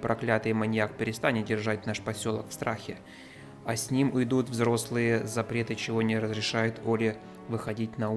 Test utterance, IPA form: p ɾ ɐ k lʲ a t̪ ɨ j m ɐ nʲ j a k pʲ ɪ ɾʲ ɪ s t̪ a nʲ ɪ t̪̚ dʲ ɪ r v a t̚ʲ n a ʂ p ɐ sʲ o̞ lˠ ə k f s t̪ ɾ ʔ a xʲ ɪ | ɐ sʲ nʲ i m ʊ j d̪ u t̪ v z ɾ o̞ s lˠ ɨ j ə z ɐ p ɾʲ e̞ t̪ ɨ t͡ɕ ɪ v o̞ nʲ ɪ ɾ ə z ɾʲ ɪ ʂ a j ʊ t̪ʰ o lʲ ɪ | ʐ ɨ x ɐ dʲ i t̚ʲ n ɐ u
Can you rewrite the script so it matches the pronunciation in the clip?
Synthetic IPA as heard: p ɾ ɐ k lʲ a t̪ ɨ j m ɐ nʲ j a k pʲ ɪ ɾʲ ɪ s t̪ a nʲ ɪ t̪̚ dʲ ɪ r ʐ a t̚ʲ n a ʂ p ɐ sʲ o̞ lˠ ə k f s t̪ ɾ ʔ a xʲ ɪ | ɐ sʲ nʲ i m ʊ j d̪ u t̪ v z ɾ o̞ s lˠ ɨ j ə z ɐ p ɾʲ e̞ t̪ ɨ t͡ɕ ɪ v o̞ nʲ ɪ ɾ ə z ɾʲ ɪ ʂ a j ʊ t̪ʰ o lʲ ɪ | v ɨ x ɐ dʲ i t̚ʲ n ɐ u